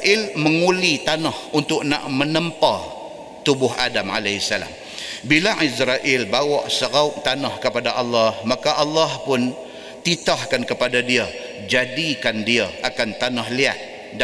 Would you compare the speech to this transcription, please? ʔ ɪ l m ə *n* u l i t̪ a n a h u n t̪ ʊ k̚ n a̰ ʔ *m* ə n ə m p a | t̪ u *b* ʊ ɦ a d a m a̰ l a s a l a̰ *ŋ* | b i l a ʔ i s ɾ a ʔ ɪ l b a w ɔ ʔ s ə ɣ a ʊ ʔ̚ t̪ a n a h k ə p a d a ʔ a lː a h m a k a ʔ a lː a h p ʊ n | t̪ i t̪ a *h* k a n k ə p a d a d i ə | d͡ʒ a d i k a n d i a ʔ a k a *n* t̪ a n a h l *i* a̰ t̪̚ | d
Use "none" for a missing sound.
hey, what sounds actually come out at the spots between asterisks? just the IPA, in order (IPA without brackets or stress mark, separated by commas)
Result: ŋ, m, b, m, h, n, i